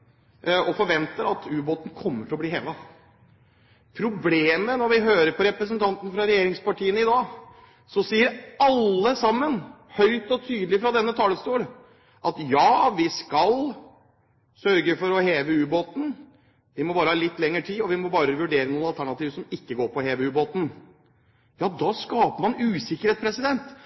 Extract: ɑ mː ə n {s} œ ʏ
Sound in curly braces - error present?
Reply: yes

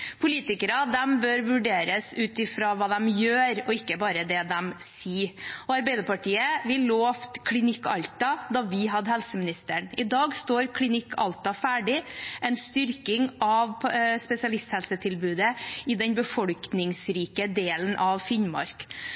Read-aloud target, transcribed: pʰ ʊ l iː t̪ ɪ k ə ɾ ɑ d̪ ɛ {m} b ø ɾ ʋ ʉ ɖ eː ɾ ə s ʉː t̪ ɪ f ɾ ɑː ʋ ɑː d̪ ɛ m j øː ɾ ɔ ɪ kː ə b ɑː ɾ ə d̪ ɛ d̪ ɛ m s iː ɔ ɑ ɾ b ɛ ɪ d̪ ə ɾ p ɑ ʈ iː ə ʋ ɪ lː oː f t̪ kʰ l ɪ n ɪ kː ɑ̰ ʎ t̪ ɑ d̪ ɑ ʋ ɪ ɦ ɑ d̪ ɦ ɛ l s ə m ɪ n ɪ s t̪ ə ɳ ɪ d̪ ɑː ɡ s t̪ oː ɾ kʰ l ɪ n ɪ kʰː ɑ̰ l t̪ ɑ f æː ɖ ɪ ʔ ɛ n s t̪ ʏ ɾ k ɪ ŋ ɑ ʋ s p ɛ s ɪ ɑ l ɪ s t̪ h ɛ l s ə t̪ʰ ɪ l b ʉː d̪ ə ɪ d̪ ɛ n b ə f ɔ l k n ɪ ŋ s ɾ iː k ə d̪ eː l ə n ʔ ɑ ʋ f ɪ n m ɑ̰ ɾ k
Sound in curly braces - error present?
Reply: no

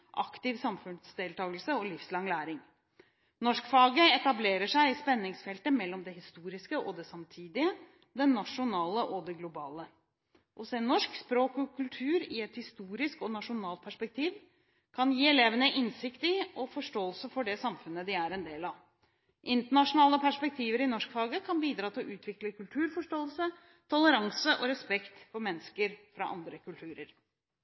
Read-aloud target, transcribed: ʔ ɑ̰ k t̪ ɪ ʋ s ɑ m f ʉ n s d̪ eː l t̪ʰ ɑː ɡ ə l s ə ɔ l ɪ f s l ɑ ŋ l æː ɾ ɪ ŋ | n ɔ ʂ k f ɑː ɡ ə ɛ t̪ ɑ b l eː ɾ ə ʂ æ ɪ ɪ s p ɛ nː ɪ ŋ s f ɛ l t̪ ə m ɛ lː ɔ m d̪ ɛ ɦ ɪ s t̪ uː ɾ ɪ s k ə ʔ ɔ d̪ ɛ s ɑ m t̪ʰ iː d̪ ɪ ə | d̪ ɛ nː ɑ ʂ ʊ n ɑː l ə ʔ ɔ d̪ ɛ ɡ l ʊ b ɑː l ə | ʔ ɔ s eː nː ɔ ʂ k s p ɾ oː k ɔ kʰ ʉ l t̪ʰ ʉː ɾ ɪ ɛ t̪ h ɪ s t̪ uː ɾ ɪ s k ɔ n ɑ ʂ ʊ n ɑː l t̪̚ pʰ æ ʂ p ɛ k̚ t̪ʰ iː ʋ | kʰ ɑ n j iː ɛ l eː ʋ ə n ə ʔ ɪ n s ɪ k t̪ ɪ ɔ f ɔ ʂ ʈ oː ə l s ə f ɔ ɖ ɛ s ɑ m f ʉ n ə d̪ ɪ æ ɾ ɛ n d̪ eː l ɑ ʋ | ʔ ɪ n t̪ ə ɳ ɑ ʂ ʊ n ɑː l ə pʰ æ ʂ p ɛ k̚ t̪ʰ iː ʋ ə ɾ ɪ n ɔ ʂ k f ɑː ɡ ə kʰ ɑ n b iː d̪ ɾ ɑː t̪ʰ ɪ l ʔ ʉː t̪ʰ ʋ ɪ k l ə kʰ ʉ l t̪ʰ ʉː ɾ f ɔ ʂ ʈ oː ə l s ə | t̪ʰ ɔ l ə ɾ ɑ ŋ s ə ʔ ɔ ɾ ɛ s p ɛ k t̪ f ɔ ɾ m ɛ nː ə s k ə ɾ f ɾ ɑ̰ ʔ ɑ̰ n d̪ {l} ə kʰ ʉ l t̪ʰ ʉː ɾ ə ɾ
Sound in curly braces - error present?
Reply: yes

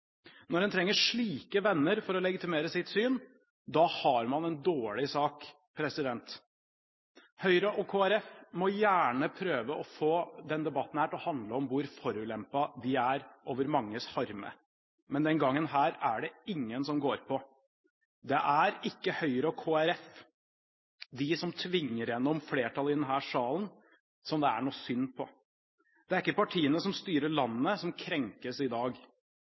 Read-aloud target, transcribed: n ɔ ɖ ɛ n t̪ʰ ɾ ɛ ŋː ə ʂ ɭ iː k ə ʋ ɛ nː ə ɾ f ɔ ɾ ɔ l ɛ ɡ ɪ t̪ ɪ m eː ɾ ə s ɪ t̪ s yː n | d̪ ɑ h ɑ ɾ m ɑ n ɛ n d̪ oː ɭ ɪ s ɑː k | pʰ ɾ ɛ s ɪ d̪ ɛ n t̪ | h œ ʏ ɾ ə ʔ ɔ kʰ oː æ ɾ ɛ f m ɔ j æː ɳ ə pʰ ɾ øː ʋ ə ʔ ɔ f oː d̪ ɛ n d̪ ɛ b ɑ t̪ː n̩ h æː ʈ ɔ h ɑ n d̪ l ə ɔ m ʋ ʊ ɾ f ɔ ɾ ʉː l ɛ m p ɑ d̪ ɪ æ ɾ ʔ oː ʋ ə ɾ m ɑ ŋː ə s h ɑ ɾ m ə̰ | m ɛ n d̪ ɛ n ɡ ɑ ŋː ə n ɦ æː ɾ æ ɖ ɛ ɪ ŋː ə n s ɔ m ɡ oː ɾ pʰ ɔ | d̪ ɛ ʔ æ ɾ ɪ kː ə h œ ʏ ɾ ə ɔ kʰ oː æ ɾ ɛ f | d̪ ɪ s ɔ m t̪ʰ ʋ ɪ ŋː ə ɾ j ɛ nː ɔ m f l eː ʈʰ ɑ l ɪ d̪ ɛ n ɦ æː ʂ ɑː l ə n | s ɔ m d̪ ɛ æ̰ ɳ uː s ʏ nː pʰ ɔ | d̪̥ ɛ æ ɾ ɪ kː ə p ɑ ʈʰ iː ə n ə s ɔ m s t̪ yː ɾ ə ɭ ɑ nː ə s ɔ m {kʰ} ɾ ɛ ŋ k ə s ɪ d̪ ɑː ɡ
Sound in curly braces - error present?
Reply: no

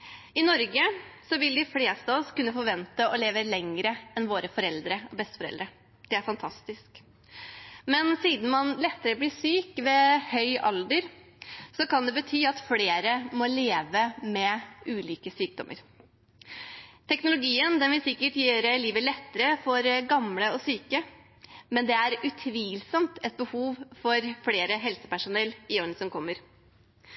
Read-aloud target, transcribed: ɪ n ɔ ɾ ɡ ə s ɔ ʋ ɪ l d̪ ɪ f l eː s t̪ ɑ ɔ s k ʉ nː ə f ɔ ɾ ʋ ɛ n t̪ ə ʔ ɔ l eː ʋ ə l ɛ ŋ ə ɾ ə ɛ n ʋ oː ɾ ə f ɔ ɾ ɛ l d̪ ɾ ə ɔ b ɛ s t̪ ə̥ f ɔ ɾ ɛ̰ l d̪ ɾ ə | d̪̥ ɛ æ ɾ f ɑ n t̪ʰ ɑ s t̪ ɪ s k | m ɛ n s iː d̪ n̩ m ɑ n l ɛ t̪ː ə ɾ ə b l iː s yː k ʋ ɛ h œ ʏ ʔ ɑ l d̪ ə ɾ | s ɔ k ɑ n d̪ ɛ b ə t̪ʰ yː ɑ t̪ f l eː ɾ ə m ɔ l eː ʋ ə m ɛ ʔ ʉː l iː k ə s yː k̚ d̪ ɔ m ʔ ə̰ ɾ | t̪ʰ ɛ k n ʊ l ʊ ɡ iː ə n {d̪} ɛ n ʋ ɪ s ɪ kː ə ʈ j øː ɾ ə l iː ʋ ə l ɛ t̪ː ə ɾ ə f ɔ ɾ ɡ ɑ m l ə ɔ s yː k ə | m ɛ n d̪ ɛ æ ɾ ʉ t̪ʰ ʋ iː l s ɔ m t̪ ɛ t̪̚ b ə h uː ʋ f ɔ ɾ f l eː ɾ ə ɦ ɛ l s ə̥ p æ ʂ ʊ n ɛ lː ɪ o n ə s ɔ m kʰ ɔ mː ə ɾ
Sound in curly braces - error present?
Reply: no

